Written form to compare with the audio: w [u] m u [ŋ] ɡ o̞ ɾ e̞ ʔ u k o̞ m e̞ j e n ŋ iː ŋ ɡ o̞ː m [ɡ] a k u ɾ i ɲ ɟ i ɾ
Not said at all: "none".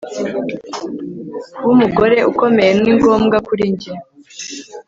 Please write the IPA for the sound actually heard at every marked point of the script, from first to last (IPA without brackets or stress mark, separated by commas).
u, none, ɡ